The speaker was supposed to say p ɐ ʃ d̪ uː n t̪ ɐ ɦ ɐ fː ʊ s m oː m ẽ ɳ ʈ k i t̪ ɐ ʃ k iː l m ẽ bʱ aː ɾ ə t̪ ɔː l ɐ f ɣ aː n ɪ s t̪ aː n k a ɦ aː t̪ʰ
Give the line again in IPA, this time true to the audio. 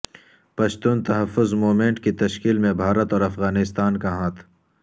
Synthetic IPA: p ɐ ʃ t̪ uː n t̪ ɐ ɦ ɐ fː ʊ z m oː m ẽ ɳ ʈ k i t̪ ɐ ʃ k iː l m ẽ bʱ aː ɾ ə t̪ ɔː ɾ ɐ f ɣ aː n ɪ s t̪ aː n k a ɦ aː t̪ʰ